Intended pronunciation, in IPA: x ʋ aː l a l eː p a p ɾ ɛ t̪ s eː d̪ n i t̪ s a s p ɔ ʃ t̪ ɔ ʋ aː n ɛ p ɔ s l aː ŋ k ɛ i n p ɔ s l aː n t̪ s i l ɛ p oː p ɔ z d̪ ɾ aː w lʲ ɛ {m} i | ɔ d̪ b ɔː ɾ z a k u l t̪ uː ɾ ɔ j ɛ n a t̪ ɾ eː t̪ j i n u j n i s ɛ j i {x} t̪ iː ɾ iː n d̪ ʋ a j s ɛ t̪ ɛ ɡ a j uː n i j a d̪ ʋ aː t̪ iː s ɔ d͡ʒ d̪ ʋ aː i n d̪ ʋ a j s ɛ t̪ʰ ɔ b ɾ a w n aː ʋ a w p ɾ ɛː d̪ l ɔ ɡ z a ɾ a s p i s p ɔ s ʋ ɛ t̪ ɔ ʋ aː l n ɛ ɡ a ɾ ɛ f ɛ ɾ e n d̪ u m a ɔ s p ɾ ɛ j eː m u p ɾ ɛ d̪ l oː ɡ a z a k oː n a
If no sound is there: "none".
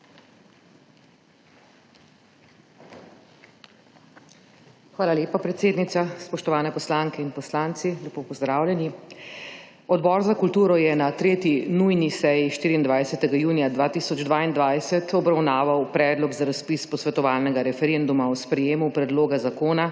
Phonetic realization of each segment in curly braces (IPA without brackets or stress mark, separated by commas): n, ʃ